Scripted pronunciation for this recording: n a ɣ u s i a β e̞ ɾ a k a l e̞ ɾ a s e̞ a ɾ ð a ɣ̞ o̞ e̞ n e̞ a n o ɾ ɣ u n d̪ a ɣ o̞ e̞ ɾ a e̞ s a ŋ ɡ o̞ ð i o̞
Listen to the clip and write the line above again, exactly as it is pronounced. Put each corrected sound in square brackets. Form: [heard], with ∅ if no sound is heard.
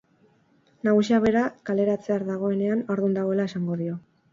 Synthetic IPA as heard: n a ɣ u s i a β e̞ ɾ a k a l e̞ ɾ a [t͡s] e̞ a ɾ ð a ɣ̞ o̞ e̞ n e̞ a n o ɾ [ð] u n d̪ a ɣ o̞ e̞ [l] a e̞ s a ŋ ɡ o̞ ð i o̞